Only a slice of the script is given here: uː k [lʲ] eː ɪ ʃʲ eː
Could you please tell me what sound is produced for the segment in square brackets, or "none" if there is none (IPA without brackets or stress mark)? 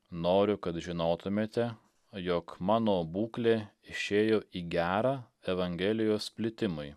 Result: lʲ